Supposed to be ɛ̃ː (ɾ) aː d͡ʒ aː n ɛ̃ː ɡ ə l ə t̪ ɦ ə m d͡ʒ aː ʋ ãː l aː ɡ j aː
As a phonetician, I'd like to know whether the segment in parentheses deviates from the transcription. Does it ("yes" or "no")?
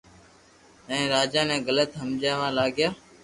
no